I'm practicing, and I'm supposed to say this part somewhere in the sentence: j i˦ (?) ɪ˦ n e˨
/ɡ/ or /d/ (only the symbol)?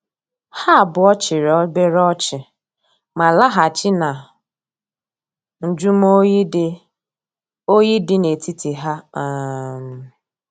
d